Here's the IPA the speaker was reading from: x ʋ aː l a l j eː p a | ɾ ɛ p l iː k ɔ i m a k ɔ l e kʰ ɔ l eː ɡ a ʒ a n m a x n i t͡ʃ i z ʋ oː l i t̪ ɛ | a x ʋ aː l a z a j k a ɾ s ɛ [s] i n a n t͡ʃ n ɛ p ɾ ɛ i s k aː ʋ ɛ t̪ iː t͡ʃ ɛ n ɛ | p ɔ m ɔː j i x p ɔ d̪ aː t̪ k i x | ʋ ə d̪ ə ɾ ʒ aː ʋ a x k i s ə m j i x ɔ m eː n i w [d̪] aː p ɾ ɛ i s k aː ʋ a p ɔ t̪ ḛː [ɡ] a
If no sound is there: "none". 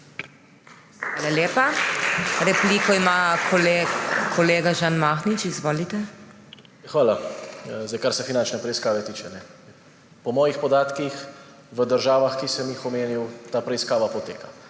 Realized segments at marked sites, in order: f, t̪, k

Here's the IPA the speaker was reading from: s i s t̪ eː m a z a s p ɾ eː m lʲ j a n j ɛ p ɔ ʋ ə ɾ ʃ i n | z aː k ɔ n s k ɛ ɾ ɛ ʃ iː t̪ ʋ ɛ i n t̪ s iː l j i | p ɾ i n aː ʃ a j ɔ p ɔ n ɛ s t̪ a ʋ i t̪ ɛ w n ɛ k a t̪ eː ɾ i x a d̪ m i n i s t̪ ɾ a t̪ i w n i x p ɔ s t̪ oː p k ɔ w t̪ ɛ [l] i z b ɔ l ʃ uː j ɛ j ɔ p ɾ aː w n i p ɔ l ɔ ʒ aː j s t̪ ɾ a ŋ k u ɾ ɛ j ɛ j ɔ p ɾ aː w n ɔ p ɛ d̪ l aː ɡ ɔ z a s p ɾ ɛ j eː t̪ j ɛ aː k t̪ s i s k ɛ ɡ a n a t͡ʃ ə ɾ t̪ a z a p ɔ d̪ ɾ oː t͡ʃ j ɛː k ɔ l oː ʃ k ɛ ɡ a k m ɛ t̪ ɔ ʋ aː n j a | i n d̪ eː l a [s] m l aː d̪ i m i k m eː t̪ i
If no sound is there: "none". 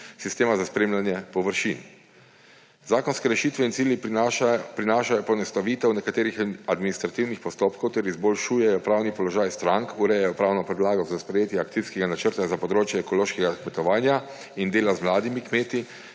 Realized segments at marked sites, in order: ɾ, z

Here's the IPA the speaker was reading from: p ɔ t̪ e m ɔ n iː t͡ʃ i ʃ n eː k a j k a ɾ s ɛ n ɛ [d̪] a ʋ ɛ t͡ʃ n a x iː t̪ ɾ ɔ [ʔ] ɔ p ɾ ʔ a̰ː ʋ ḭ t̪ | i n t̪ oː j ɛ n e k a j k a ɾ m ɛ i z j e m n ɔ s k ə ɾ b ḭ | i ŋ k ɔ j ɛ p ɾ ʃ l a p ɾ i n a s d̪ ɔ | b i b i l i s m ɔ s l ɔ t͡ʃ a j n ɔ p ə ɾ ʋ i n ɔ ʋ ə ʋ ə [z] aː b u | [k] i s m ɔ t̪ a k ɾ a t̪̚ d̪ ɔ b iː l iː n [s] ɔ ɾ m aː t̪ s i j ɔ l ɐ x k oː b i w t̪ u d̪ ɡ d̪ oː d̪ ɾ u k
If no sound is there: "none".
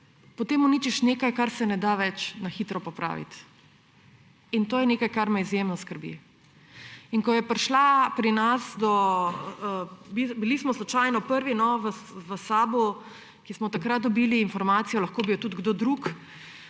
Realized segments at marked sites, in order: d̪, p, s, k, f

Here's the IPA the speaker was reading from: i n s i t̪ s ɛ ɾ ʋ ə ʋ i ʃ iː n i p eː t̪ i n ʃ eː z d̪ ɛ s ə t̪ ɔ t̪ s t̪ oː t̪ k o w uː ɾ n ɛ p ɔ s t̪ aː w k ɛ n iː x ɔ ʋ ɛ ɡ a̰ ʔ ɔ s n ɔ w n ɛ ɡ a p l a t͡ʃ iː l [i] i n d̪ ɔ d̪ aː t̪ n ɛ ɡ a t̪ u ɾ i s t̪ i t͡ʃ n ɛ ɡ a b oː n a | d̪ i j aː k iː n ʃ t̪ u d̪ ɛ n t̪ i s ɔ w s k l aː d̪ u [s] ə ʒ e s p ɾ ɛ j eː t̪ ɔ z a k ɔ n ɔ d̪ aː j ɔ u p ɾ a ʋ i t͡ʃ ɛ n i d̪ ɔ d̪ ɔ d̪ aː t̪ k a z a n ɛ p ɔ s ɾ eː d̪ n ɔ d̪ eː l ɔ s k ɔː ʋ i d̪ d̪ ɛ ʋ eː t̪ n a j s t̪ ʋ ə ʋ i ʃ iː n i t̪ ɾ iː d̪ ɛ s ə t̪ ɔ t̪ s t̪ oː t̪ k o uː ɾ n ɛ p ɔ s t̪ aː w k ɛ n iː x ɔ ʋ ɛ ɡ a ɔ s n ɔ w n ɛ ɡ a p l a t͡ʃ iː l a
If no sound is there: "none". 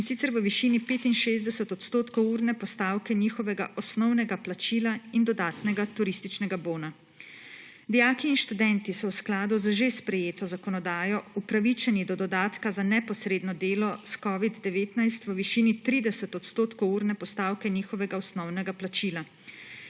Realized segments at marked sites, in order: a, z

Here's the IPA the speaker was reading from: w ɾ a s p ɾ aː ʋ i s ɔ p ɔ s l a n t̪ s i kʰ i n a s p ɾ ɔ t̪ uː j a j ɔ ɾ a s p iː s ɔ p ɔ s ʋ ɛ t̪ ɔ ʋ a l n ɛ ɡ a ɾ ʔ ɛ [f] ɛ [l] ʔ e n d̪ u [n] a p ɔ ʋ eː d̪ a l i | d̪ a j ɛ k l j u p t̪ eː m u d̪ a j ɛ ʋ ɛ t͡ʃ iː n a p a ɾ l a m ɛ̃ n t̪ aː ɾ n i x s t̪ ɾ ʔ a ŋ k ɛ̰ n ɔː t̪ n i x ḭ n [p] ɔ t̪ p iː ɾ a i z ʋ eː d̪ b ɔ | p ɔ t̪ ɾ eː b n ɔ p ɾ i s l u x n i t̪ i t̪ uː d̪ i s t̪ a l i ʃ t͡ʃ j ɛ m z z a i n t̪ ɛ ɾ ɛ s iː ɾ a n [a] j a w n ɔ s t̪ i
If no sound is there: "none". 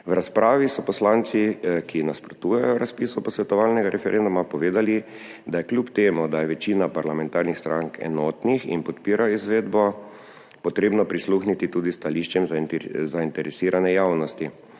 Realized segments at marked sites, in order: f, ɾ, m, p, ɛ

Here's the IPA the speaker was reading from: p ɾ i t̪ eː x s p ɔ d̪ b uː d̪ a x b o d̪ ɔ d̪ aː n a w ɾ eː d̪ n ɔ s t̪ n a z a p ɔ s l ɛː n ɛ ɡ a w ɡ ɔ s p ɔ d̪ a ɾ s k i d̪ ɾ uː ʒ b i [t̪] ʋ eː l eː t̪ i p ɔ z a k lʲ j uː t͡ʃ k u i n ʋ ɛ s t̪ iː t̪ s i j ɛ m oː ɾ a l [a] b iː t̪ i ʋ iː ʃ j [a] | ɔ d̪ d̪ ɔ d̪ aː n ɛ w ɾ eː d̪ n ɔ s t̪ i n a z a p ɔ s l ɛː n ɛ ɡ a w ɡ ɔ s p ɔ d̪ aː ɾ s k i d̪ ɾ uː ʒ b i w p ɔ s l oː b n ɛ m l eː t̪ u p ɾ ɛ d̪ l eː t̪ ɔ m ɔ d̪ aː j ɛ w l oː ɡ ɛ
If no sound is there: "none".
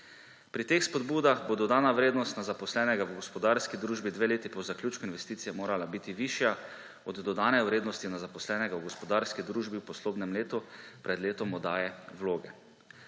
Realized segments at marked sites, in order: d̪, a, a

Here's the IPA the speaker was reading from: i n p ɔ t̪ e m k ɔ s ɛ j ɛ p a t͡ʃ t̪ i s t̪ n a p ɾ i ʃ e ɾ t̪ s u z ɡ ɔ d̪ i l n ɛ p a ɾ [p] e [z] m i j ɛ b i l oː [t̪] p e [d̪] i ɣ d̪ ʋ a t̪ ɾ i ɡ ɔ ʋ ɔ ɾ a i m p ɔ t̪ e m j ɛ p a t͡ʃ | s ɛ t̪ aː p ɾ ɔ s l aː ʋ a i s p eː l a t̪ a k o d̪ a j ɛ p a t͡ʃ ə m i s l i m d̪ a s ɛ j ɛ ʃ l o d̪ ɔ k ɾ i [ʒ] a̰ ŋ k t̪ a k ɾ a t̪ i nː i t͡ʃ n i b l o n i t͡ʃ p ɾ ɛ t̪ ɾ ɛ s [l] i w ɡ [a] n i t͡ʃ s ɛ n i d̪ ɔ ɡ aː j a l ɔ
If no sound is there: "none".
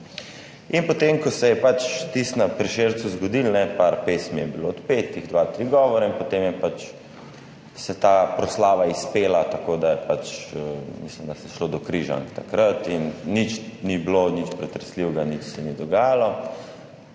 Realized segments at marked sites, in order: p, s, t̪, t̪, ʒ, l, a

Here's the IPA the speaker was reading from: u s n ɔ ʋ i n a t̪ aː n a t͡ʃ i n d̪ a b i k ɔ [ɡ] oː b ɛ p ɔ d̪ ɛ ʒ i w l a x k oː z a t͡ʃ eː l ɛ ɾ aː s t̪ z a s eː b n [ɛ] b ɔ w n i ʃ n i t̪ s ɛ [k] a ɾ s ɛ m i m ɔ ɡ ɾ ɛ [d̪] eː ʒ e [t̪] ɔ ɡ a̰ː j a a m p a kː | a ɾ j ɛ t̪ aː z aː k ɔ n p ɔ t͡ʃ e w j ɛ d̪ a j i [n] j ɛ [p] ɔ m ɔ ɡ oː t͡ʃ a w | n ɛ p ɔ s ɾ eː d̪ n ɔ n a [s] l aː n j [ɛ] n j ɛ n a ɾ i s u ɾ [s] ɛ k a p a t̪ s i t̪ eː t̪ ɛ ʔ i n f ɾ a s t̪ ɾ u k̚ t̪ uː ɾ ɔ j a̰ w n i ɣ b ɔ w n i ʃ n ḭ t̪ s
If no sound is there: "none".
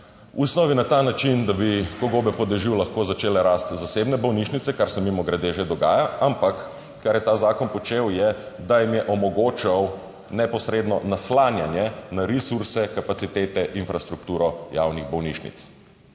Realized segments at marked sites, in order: ɡ, ɛ, k, d̪, d̪, m, ʔ, s, a, s

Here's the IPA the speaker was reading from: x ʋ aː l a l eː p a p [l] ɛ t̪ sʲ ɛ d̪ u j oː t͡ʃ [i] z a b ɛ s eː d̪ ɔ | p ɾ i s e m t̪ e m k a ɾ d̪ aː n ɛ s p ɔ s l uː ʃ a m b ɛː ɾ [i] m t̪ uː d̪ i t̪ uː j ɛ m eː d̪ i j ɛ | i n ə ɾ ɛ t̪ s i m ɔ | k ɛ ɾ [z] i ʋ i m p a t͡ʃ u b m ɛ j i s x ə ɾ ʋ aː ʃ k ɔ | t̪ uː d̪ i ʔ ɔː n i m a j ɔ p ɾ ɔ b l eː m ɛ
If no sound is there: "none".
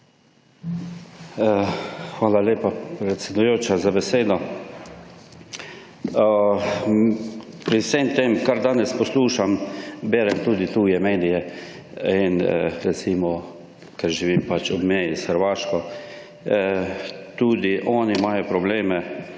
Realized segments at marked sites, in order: ɾ, a, ɛ, ʒ

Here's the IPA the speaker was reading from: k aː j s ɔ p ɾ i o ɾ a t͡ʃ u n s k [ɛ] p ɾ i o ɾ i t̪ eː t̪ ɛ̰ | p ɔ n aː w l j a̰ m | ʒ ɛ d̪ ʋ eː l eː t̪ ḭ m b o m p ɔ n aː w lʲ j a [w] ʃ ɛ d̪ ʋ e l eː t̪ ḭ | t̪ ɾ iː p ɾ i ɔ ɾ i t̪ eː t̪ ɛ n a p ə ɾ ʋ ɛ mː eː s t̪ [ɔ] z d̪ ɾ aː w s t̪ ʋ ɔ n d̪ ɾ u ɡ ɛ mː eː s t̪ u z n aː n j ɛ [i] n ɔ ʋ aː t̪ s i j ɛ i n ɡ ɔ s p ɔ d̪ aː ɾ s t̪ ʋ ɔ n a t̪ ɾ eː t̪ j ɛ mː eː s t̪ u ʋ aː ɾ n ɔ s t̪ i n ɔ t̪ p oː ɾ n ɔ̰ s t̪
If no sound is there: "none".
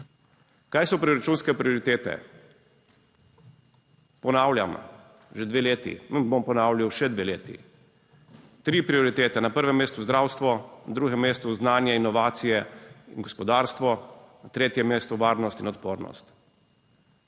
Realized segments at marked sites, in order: ɛ, w, u, i

